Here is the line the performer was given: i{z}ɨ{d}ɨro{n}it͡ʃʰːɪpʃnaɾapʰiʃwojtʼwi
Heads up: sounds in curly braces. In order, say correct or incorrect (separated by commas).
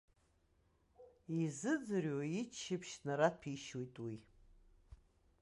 correct, incorrect, incorrect